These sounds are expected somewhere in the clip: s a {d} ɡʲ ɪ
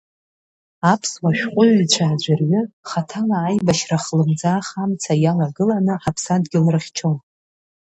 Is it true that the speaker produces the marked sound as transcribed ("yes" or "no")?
yes